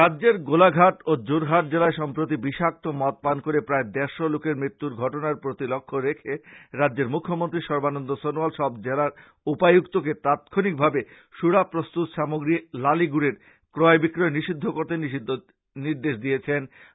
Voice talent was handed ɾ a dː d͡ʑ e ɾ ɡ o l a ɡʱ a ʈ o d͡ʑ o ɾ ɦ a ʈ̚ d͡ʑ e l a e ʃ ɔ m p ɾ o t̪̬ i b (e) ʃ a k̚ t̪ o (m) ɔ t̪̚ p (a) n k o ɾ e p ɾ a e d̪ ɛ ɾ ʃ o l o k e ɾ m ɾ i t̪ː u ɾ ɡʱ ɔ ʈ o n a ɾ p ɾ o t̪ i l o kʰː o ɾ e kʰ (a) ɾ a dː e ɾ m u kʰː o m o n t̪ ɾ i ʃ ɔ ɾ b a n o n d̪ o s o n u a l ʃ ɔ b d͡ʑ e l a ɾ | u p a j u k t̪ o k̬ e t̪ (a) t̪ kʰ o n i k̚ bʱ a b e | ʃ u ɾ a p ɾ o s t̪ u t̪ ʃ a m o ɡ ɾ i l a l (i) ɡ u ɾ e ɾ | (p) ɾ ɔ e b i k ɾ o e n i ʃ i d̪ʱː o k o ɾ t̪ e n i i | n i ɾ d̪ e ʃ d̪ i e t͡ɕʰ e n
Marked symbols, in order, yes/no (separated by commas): no, yes, yes, no, yes, yes, no